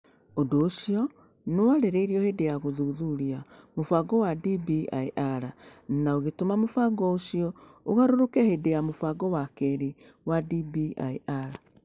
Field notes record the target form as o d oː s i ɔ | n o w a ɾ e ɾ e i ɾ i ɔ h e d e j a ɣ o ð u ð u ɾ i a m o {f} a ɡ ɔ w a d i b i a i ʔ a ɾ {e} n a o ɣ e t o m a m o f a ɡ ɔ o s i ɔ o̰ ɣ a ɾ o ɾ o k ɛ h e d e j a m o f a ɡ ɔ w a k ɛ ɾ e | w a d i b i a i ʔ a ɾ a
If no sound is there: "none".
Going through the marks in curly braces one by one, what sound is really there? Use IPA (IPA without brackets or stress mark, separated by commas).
f, a